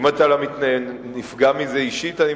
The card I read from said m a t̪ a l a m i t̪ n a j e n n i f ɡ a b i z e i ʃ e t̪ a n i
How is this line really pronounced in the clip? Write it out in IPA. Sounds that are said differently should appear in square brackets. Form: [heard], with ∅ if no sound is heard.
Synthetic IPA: m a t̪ a l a m i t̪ n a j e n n i f ɡ a [m] i z e i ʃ [i] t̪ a n i